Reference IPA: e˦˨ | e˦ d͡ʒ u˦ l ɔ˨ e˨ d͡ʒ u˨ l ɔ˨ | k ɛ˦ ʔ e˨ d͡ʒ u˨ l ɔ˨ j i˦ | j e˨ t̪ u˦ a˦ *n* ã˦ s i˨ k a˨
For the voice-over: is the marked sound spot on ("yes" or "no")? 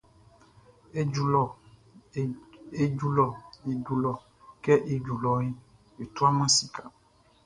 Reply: no